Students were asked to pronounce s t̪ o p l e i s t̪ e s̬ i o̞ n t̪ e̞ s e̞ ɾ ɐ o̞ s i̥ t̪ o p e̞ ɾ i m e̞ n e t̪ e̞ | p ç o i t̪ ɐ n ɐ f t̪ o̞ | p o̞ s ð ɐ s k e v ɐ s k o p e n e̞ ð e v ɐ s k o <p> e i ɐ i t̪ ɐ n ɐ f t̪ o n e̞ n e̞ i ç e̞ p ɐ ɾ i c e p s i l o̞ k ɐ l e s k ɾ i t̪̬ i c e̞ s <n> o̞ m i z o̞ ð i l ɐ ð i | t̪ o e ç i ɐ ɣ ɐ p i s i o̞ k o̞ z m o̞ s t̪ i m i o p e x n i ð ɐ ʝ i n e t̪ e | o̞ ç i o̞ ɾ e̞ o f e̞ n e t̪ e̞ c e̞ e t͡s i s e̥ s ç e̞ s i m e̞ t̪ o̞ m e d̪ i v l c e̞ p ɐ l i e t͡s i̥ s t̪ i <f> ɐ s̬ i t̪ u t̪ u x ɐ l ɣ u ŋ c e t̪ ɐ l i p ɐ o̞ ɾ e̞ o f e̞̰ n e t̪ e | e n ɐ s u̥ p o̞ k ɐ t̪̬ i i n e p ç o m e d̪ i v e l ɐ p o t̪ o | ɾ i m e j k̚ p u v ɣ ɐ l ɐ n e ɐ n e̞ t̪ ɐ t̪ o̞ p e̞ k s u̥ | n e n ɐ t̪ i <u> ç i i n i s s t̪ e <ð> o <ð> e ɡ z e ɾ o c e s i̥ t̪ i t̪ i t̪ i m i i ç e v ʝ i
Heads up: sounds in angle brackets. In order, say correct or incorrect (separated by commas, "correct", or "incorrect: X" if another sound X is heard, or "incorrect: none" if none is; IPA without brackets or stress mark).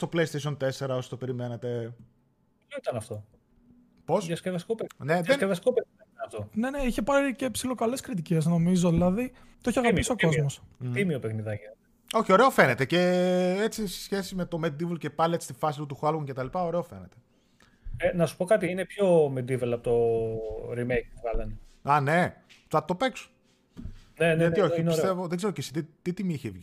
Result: correct, correct, correct, incorrect: o, incorrect: v, correct